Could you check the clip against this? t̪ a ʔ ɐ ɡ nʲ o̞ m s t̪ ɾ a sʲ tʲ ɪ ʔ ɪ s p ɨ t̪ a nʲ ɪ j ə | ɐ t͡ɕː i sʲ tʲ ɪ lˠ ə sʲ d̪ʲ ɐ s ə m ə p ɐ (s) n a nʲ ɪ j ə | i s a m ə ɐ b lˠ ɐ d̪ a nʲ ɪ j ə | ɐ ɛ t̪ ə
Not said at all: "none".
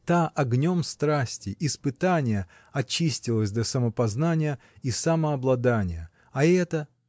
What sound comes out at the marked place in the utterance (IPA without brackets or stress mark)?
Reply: z